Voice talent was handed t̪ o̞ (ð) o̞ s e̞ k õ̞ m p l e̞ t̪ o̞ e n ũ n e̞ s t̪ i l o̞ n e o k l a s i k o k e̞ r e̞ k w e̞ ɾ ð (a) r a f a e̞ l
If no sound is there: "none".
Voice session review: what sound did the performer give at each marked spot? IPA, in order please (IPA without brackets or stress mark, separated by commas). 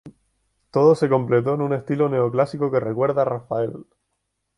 ð, a